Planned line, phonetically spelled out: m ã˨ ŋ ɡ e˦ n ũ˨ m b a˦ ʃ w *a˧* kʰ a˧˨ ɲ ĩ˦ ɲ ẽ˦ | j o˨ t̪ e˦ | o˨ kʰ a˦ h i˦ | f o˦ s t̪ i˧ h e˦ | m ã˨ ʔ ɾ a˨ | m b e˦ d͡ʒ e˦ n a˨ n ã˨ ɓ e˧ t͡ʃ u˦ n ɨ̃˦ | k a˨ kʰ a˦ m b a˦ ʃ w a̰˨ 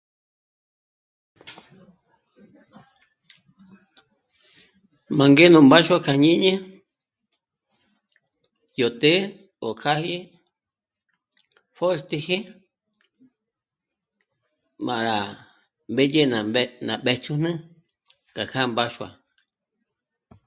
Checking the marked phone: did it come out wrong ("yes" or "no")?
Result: no